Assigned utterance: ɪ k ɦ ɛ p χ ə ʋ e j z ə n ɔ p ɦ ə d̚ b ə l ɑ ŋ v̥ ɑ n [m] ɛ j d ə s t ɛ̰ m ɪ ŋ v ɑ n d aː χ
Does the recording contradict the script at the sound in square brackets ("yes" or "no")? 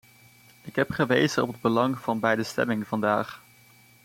yes